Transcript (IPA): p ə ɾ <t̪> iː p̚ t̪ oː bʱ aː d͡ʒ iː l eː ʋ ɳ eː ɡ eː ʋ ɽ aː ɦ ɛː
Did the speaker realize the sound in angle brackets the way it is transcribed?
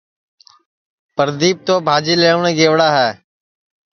no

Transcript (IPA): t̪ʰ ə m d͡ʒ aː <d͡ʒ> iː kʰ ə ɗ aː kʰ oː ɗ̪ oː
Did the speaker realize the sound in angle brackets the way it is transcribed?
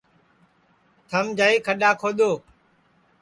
no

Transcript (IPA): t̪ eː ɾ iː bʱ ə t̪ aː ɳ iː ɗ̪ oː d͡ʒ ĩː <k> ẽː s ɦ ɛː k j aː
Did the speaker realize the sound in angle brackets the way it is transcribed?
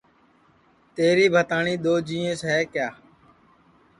no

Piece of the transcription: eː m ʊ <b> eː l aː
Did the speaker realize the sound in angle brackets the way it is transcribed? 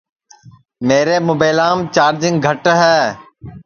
yes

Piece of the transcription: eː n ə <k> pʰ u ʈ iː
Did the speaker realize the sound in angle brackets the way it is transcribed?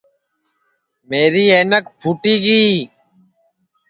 yes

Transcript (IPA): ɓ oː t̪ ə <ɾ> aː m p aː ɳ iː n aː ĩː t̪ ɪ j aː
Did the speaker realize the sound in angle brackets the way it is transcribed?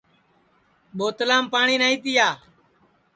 no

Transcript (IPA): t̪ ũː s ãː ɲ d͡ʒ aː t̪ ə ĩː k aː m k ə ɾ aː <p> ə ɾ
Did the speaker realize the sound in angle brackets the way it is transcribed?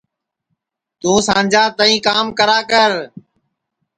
no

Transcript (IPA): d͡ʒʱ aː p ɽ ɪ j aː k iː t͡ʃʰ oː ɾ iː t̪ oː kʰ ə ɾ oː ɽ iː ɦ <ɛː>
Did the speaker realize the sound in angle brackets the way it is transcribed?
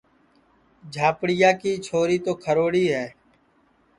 yes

